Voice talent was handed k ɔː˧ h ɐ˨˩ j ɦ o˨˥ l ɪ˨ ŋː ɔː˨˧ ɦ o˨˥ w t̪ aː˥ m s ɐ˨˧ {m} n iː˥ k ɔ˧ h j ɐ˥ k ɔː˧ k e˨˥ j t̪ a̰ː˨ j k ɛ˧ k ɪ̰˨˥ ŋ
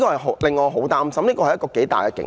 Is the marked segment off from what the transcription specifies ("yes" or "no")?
no